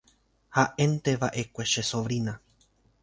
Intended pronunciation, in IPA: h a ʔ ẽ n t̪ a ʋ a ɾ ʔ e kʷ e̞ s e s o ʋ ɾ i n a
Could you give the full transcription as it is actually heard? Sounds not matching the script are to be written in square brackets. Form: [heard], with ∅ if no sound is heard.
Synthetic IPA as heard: h a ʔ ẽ n t̪ [e] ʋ a [∅] ʔ e kʷ e̞ [ʃ] e s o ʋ ɾ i n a